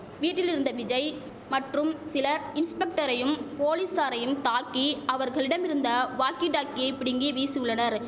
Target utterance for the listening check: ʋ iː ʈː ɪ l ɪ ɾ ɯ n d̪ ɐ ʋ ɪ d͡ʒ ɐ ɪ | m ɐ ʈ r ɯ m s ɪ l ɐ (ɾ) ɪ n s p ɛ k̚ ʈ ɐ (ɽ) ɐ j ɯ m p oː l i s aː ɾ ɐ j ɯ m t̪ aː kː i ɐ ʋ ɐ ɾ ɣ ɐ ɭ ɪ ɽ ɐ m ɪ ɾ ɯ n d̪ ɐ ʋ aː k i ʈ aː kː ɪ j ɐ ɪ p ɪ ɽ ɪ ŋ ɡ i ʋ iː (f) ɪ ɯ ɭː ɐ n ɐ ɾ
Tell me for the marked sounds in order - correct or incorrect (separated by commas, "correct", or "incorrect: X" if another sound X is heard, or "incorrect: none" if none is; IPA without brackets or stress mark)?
correct, incorrect: ɾ, incorrect: s